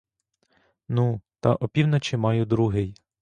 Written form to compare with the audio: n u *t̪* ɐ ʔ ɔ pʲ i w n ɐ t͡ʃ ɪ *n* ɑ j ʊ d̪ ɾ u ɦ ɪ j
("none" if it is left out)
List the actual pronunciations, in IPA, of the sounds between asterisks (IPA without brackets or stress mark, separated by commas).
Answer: t̪, m